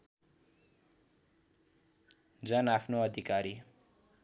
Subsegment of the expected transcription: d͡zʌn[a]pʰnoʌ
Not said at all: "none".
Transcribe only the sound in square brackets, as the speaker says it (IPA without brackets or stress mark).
a